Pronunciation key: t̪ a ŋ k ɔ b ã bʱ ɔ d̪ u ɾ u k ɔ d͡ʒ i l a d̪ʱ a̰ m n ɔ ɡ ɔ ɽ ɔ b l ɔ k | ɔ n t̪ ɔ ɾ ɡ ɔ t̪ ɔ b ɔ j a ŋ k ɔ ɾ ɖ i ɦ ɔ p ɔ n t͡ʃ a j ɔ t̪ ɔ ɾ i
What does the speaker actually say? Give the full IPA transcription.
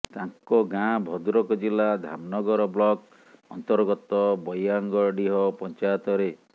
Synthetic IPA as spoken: t̪ a ŋ k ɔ ɡ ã bʱ ɔ d̪ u ɾ ɔ k ɔ d͡ʒ i l a d̪ʱ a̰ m n ɔ ɡ ɔ ɾ ɔ b l ɔ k | ɔ n t̪ ɔ ɾ ɡ ɔ t̪ ɔ b ɔ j a ŋ ɡ ɔ ɾ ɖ i ɦ ɔ p ɔ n t͡ʃ a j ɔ t̪ ɔ ɾ e